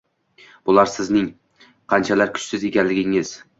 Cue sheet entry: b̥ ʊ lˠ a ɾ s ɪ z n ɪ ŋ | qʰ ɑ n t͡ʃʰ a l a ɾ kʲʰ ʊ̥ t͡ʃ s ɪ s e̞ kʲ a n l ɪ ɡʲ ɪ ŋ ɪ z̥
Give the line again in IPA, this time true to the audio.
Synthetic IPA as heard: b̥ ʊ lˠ a ɾ s ɪ z n ɪ ŋ | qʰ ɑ n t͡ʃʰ a l a ɾ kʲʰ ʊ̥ t͡ʃ s ɪ z e̞ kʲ a n l ɪ ɡʲ ɪ ŋ ɪ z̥